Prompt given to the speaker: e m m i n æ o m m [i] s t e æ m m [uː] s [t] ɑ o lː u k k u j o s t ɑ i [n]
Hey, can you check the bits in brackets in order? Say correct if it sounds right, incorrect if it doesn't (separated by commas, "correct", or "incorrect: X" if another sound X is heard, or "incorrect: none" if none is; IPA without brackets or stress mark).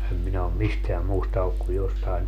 correct, correct, correct, correct